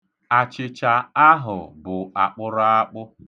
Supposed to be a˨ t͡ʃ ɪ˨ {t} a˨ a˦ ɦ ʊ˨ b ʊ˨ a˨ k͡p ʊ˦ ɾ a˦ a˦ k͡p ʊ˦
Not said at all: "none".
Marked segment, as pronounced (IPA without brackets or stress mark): t͡ʃ